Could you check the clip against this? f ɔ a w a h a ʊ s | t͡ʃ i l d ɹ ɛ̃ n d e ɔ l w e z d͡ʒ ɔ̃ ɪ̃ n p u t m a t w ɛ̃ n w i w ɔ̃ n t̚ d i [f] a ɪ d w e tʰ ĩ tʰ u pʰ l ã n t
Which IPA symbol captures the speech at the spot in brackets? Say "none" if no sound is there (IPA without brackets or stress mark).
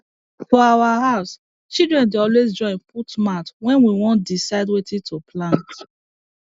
s